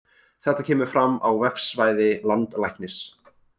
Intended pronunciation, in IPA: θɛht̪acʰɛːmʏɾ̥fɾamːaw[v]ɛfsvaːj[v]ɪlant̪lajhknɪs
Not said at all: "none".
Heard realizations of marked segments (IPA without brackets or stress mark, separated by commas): v, ð